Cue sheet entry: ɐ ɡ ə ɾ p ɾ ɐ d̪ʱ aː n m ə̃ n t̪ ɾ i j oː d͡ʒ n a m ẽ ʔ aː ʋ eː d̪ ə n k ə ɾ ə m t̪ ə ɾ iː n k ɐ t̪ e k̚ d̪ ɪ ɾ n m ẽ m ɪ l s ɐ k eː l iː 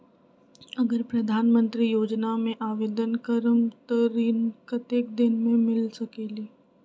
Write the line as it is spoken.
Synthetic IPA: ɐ ɡ ə ɾ p ɾ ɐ d̪ʱ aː n m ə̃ n t̪ ɾ i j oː d͡ʒ n a m ẽ ʔ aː ʋ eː d̪ ə n k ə ɾ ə m t̪ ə ɾ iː n k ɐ t̪ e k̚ d̪ ɪ n m ẽ m ɪ l s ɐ k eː l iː